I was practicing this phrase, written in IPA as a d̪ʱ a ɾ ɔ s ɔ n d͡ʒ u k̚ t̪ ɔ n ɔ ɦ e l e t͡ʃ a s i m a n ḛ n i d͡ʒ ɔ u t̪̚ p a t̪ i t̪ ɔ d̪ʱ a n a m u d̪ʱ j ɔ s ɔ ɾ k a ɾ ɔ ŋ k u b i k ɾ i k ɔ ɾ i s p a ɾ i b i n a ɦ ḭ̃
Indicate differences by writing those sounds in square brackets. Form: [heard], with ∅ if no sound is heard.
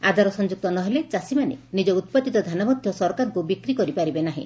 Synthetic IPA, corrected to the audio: a d̪ʱ a ɾ ɔ s ɔ n d͡ʒ u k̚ t̪ ɔ n ɔ ɦ e l e t͡ʃ a s i m a n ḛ n i d͡ʒ ɔ u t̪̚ p a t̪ i t̪ ɔ d̪ʱ a n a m [ɔ] d̪ʱ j ɔ s ɔ ɾ k a ɾ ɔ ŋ k u b i k ɾ i k ɔ ɾ i [∅] p a ɾ i b [e] n a ɦ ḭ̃